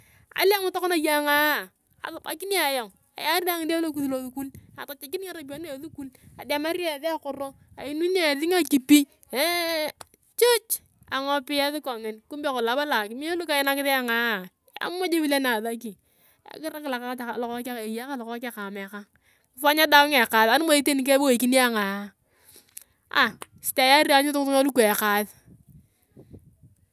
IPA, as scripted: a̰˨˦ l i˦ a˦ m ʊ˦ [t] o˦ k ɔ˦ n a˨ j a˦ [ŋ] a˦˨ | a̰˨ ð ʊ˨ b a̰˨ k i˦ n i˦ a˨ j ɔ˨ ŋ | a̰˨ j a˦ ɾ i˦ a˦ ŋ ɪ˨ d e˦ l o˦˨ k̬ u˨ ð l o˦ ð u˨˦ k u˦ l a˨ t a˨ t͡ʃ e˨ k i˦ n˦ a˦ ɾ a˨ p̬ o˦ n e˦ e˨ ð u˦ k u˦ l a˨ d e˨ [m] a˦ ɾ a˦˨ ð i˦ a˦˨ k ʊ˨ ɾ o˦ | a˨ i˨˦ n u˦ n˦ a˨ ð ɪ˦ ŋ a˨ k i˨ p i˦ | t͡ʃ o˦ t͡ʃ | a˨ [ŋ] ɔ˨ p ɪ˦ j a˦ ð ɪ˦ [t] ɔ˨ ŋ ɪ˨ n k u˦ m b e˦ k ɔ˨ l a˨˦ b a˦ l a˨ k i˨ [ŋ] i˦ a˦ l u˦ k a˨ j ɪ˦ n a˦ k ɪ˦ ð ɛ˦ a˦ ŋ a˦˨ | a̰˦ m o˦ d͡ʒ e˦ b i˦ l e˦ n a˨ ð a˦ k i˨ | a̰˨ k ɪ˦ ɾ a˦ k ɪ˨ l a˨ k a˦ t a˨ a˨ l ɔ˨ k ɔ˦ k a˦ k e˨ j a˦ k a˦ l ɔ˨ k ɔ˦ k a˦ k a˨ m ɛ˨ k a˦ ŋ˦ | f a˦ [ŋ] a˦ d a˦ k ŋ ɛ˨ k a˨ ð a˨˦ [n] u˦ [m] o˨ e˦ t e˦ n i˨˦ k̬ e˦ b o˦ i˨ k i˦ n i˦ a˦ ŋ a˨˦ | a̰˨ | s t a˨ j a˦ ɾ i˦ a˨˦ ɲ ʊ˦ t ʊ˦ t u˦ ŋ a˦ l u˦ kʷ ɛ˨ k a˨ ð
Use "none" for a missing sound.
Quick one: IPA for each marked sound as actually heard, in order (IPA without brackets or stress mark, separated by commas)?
t, ŋ, m, ŋ, k, m, ɲ, n, m